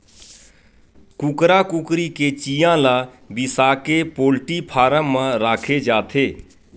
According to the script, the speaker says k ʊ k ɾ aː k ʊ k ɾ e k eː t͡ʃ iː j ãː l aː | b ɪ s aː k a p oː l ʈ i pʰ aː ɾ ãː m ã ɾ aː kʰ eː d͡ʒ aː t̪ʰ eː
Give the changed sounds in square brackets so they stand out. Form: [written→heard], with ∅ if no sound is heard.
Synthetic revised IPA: k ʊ k ɾ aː k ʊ k ɾ [e→i] k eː t͡ʃ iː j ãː l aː | b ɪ s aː k [a→e] p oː l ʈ i pʰ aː ɾ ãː m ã ɾ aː kʰ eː d͡ʒ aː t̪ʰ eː

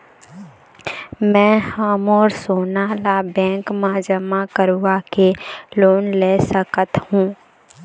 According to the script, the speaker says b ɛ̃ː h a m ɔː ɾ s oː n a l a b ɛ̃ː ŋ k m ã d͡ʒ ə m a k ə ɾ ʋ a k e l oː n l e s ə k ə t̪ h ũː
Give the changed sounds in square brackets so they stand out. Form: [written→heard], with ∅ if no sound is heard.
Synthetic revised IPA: [b→m] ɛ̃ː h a m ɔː ɾ s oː n a l a b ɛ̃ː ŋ k m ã d͡ʒ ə m a k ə ɾ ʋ a k e l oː n l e s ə k ə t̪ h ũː

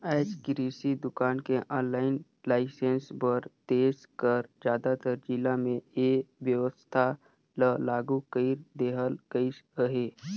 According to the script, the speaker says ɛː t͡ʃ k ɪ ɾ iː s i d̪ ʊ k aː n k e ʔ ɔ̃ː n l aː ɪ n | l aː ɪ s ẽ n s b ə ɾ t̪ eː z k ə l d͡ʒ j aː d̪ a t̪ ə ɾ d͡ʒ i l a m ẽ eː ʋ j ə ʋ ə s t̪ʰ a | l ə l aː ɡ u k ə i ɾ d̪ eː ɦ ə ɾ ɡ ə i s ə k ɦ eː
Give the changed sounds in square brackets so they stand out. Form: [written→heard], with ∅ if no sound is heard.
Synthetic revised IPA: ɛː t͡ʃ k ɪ ɾ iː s i d̪ ʊ k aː n k e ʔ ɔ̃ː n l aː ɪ n | l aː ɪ s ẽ n s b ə ɾ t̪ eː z k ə [l→ɾ] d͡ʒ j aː d̪ a t̪ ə ɾ d͡ʒ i l a m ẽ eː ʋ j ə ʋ ə s t̪ʰ a | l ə l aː ɡ u k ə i ɾ d̪ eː ɦ ə [ɾ→l] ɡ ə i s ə [k→∅] ɦ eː

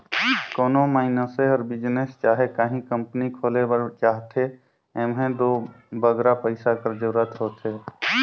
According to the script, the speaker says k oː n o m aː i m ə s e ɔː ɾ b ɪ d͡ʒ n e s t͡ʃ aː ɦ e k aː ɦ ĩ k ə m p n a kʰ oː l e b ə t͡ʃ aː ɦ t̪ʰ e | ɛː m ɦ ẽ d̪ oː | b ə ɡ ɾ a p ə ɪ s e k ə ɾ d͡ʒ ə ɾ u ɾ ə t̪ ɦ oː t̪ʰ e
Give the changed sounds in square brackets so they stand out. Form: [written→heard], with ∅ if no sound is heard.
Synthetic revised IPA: k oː n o m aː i [m→n] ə s e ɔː ɾ b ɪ d͡ʒ n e s t͡ʃ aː ɦ e k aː ɦ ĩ k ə m p n [a→i] kʰ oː l e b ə t͡ʃ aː ɦ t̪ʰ e | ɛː m ɦ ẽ d̪ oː | b ə ɡ ɾ a p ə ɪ s [e→a] k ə ɾ d͡ʒ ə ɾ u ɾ ə t̪ ɦ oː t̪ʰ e

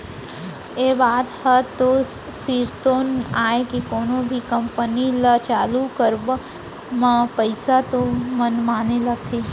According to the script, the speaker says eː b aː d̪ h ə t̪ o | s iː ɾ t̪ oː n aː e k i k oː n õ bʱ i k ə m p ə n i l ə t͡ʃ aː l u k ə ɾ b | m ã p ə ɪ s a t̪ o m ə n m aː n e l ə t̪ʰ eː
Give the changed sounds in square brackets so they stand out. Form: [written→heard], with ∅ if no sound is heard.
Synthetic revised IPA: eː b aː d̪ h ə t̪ o | s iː ɾ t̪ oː n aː e k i k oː n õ bʱ i k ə m p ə n i l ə t͡ʃ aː l u k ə ɾ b | m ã p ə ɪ s a t̪ o m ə n m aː n e l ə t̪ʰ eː

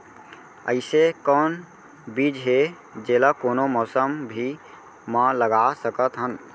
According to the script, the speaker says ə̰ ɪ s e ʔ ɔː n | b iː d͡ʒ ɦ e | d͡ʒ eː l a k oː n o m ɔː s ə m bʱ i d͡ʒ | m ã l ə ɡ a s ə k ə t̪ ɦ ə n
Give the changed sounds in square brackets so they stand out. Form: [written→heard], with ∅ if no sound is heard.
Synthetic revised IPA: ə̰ ɪ s e [ʔ→k] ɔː n | b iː d͡ʒ ɦ e | d͡ʒ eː l a k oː n o m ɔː s ə m bʱ i [d͡ʒ→∅] | m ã l ə ɡ a s ə k ə t̪ ɦ ə n

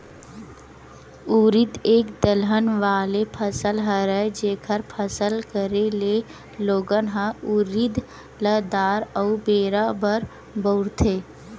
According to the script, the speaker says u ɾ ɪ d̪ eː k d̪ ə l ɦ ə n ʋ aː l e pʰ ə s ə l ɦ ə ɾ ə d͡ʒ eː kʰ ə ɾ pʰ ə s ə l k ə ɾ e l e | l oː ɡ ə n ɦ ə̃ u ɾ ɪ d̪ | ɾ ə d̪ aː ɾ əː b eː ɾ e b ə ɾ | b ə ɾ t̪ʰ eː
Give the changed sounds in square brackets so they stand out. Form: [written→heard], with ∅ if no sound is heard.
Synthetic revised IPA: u ɾ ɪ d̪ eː k d̪ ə l ɦ ə n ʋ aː l e pʰ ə s ə l ɦ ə ɾ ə d͡ʒ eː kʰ ə ɾ pʰ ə s ə l k ə ɾ e l e | l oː ɡ ə n ɦ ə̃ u ɾ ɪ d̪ | [ɾ→l] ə d̪ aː ɾ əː b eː ɾ [e→a] b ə ɾ | b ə ɾ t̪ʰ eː

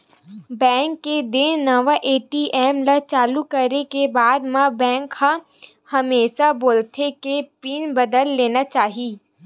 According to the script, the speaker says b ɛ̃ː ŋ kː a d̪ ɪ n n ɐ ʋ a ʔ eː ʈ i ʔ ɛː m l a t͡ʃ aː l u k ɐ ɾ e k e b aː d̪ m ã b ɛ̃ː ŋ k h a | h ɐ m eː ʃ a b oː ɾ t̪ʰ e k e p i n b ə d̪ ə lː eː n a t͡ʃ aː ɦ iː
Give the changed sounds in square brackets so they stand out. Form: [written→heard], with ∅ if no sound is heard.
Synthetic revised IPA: b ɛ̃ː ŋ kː [a→e] d̪ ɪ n n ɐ ʋ a ʔ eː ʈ i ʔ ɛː m l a t͡ʃ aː l u k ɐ ɾ e k e b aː d̪ m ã b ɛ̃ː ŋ k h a | h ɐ m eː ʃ a b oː [ɾ→l] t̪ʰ e k e p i n b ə d̪ ə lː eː n a t͡ʃ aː ɦ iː

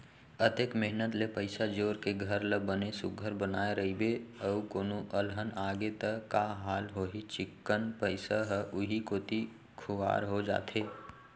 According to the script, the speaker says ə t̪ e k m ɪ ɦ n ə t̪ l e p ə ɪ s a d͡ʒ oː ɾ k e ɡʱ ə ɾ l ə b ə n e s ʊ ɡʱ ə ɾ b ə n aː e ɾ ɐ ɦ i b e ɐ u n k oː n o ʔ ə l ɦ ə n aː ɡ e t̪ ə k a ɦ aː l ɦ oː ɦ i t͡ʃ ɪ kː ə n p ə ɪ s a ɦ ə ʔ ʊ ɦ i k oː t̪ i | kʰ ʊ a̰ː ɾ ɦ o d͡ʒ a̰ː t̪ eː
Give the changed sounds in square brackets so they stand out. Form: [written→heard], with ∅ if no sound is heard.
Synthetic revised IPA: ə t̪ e k m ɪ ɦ n ə t̪ l e p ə ɪ s a d͡ʒ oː ɾ k e ɡʱ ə ɾ l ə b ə n e s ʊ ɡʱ ə ɾ b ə n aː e ɾ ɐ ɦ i b e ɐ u [n→∅] k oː n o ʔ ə l ɦ ə n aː ɡ e t̪ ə k a ɦ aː l ɦ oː ɦ i t͡ʃ ɪ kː ə n p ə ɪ s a ɦ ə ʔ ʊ ɦ i k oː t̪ i | kʰ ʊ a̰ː ɾ ɦ o d͡ʒ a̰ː t̪ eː

